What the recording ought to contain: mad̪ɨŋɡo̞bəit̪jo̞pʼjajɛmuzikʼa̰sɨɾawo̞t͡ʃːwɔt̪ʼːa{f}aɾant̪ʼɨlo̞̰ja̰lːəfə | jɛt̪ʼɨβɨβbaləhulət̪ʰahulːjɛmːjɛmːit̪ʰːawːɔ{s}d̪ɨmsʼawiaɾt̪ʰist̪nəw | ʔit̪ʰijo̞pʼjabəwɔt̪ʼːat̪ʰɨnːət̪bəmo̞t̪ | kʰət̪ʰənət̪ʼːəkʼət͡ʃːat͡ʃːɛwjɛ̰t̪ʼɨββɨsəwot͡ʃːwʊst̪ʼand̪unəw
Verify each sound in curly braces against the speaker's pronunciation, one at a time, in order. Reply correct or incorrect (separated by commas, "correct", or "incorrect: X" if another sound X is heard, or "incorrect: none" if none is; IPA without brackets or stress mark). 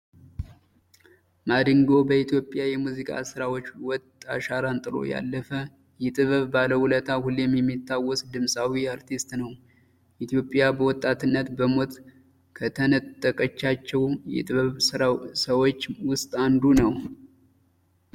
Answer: incorrect: ʃ, correct